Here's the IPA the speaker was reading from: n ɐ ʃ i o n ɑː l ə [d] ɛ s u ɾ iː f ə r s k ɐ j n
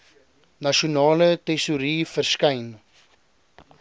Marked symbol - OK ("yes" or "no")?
no